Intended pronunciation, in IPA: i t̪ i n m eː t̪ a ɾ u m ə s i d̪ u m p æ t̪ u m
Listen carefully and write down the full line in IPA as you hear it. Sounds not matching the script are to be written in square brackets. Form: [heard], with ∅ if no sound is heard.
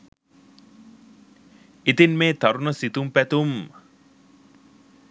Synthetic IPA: i t̪ i n m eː t̪ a ɾ u [n] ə s i [t̪] u m p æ t̪ u m